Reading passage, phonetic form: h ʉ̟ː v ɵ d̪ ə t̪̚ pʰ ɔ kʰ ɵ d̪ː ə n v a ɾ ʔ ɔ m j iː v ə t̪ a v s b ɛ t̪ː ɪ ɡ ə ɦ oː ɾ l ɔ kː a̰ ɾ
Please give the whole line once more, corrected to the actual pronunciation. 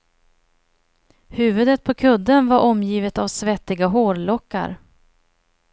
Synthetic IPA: h ʉ̟ː v ɵ d̪ ə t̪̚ pʰ ɔ kʰ ɵ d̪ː ə n v a ɾ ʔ ɔ m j iː v ə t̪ a v s v ɛ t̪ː ɪ ɡ a ɦ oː ɾ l ɔ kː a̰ ɾ

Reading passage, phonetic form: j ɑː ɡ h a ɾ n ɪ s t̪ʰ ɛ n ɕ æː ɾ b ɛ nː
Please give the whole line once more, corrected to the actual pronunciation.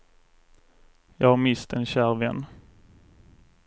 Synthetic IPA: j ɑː ɡ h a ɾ m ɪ s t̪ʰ ɛ n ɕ æː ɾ v ɛ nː

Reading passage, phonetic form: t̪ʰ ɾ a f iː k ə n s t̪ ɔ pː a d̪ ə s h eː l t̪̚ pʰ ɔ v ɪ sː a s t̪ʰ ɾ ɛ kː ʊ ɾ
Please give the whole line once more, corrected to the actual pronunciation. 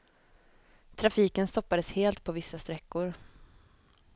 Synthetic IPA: t̪ʰ ɾ a f iː k ə n s t̪ ɔ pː a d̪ ə s h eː l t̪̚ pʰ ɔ v ɪ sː a s t̪ ɾ ɛ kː ʊ ɾ

